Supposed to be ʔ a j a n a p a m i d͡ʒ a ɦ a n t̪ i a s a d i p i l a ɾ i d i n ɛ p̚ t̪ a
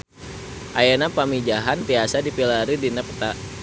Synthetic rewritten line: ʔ a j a n a p a m i d͡ʒ a ɦ a n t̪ i a s a d i p i l a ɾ i d i n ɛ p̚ t̪ a